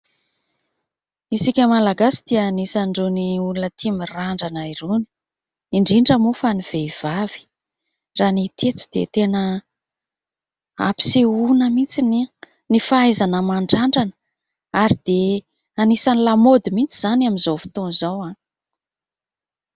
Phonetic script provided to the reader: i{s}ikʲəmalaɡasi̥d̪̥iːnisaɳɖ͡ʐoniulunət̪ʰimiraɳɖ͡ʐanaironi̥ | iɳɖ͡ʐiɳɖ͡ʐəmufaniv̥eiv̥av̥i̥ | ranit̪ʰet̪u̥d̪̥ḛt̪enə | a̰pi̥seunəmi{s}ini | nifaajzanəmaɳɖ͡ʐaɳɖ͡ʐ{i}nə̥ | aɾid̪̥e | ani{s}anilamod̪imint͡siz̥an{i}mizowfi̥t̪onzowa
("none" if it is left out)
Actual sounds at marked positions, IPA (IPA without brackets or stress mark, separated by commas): s, t͡s, a, s, a